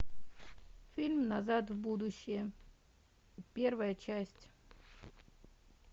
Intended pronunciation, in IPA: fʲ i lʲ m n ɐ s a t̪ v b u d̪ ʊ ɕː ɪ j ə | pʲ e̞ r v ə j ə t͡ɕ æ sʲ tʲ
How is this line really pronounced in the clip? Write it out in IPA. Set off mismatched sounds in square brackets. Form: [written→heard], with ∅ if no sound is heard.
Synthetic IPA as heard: fʲ i lʲ m n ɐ [s→z] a t̪ v b u d̪ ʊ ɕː ɪ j ə | pʲ e̞ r v ə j ə t͡ɕ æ sʲ tʲ